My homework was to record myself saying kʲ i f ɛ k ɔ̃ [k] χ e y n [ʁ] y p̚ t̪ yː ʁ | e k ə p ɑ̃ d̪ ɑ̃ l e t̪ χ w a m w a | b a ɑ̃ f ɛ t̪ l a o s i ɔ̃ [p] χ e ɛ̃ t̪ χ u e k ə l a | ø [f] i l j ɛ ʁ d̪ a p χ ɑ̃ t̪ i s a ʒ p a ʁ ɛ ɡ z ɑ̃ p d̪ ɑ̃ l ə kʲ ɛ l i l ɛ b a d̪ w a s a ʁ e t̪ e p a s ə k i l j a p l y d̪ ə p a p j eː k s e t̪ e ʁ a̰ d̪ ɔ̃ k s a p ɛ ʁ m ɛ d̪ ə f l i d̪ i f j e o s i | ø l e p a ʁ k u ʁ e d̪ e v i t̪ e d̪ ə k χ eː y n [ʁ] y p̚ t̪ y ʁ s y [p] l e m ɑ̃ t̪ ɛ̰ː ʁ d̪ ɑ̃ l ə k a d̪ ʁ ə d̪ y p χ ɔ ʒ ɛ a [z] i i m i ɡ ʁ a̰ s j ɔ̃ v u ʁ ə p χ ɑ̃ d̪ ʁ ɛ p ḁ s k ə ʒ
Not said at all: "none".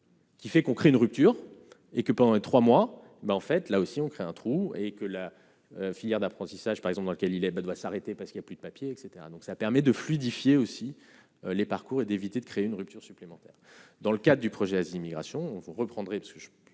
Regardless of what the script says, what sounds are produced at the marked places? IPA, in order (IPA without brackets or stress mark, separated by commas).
k, ʁ, k, f, ʁ, p, z